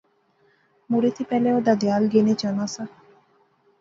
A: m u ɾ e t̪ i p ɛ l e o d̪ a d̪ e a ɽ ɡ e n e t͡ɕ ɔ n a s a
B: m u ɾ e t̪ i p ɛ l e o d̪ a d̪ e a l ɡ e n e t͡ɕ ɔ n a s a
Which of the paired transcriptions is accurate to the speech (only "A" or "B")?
B